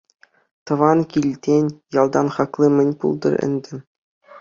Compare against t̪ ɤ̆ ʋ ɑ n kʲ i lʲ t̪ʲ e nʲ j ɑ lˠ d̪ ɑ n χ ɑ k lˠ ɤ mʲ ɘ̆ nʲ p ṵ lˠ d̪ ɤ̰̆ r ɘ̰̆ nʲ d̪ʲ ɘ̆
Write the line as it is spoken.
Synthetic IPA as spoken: t̪ ɤ̆ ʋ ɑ n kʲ i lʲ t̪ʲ e nʲ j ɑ lˠ d̪ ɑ n χ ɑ k lˠ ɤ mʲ ɘ̆ nʲ p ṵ lˠ d̪ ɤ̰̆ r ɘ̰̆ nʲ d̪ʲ ɘ̆